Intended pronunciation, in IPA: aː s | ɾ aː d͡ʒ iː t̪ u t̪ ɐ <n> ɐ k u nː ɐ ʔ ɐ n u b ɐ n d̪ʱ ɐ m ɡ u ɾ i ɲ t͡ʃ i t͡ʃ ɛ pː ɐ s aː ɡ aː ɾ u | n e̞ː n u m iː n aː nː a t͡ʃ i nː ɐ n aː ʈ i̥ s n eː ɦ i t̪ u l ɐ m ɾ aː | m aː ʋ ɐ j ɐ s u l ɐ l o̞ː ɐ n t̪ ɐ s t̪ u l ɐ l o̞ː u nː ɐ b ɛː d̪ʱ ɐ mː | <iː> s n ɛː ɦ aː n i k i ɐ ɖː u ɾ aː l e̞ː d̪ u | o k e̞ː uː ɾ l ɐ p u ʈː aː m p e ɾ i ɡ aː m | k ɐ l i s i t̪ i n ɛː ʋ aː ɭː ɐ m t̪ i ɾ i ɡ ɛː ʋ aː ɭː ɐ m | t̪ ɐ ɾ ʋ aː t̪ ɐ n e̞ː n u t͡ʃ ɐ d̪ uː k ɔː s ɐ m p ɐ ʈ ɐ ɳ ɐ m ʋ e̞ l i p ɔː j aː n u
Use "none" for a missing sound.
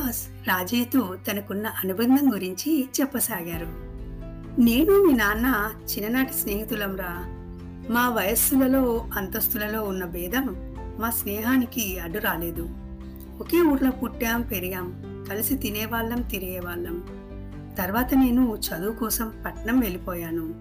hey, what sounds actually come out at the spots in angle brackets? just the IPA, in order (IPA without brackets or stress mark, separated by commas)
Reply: n, aː